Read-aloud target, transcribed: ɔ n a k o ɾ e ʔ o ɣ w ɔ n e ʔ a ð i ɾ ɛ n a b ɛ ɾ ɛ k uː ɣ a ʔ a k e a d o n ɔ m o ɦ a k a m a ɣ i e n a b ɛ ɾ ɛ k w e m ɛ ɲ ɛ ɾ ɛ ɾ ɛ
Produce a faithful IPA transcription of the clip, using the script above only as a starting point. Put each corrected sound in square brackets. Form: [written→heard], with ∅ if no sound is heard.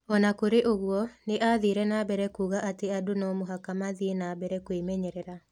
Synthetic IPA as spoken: ɔ n a k o ɾ e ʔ o ɣ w ɔ n e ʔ a ð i ɾ ɛ n a b ɛ ɾ ɛ k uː ɣ a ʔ a [k→t] e a d o n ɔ m o ɦ a k a m a [ɣ→ð] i e n a b ɛ ɾ ɛ k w e m ɛ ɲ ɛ ɾ ɛ ɾ [ɛ→a]

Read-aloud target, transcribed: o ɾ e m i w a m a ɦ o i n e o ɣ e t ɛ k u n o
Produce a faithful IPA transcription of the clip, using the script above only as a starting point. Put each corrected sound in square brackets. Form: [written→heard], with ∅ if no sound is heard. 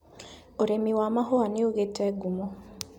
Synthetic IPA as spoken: o ɾ e m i w a m a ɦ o [i→a] n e o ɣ e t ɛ [k→ɡ] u [n→m] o

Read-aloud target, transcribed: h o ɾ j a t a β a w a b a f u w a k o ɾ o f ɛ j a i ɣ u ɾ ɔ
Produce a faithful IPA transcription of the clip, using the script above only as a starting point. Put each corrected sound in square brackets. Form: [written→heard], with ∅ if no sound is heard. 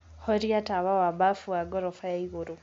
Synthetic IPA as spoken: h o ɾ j a t a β a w a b a f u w a [k→ɡ] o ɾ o f [ɛ→a] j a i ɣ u ɾ [ɔ→u]

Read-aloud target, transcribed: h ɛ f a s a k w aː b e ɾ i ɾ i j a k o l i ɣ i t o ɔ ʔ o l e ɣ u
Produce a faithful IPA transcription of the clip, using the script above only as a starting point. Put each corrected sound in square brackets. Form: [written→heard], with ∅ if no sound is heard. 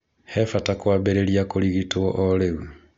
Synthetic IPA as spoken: h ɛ f a [s→t] a k w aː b e ɾ [i→e] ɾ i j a k o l i ɣ i t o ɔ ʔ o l e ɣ u

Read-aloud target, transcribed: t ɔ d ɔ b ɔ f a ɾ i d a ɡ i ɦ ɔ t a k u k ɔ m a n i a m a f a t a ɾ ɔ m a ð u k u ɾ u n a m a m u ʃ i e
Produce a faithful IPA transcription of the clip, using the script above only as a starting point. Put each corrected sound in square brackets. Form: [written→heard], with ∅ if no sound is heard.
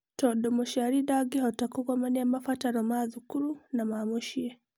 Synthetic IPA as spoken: t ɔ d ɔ [b→m] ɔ [f→ʃ] a ɾ i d a ɡ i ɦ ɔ t a k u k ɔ m a n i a m a f a t a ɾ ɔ m a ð u k u ɾ u n a m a m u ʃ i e

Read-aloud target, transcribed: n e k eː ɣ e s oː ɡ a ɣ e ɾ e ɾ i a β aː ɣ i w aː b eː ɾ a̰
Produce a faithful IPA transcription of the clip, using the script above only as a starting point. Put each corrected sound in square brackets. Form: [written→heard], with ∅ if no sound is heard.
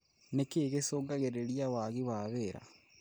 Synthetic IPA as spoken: n e k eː ɣ e s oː ɡ a ɣ e ɾ e ɾ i a [β→w] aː ɣ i w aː [b→β] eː ɾ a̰

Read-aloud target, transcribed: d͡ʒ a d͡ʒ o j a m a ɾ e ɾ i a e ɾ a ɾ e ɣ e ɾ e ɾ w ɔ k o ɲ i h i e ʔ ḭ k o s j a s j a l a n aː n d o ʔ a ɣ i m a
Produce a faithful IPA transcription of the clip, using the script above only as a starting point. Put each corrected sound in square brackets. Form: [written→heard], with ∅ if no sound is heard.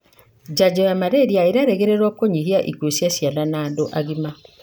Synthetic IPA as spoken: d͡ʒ a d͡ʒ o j a m a ɾ e ɾ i a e ɾ a ɾ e ɣ e ɾ e ɾ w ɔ k o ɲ i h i [e→a] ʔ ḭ k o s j a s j a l a n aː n d o ʔ a ɣ i m a

